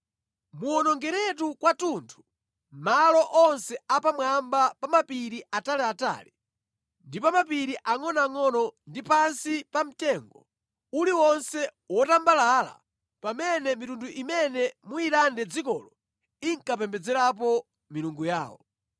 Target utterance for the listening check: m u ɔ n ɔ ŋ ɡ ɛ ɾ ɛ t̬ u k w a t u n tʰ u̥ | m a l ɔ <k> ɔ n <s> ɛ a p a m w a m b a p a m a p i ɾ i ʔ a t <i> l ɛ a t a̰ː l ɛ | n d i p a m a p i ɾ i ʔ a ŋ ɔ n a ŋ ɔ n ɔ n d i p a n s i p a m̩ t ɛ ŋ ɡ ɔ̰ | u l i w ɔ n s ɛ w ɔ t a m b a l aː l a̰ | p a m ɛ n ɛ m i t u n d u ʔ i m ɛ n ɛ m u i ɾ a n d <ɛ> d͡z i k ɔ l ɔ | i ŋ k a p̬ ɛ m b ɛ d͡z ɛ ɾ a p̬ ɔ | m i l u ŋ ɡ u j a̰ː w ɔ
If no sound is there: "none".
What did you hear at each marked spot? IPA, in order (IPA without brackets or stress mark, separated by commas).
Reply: ʔ, s, a, ɛ